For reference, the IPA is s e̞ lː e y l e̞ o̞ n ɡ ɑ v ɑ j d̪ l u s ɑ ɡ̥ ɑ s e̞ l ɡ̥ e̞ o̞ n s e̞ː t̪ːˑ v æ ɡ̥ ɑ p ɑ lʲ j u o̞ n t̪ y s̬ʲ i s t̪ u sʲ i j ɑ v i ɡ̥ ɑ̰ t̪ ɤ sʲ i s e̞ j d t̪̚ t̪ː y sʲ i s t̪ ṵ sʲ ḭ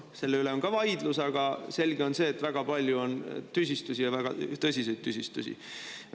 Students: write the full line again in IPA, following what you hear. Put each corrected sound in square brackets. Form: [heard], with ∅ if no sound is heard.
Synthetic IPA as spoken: s e̞ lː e y l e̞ o̞ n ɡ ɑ v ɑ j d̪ l u s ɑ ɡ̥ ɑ s e̞ l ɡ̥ e̞ o̞ n s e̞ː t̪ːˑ v æ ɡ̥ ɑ p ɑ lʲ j u o̞ n t̪ y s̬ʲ i s t̪ u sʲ i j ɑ v [æ] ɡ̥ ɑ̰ t̪ ɤ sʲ i s e̞ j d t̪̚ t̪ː y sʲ i s t̪ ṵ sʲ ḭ